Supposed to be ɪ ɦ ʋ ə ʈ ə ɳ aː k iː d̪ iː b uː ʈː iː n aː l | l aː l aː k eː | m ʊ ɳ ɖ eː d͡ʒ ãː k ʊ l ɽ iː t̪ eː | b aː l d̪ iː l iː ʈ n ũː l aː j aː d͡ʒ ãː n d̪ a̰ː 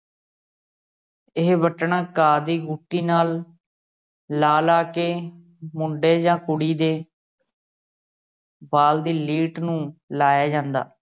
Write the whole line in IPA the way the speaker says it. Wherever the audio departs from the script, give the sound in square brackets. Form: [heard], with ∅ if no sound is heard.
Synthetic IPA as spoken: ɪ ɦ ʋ ə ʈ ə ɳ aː k [aː] d̪ iː [ɡ] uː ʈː iː n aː l | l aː l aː k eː | m ʊ ɳ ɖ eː d͡ʒ ãː k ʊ [∅] ɽ iː [d̪] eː | b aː l d̪ iː l iː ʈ n ũː l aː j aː d͡ʒ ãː n d̪ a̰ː